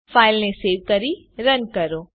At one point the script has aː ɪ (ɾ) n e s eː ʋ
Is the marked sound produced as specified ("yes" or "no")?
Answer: no